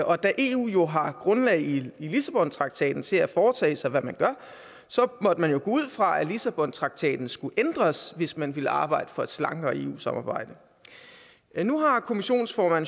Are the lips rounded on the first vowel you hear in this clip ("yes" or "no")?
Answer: yes